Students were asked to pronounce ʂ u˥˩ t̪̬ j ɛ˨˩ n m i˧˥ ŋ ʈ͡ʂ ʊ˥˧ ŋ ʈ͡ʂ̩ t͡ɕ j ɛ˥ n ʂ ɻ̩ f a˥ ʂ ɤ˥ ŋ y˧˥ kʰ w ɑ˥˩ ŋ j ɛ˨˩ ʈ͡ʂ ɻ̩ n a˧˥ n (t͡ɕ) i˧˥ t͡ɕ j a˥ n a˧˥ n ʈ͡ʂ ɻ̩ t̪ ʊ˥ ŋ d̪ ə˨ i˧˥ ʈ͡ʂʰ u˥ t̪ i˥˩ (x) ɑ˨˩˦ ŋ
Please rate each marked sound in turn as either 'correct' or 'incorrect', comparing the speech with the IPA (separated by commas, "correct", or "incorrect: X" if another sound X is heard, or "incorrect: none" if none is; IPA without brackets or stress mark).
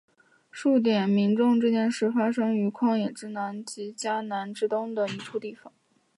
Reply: correct, incorrect: f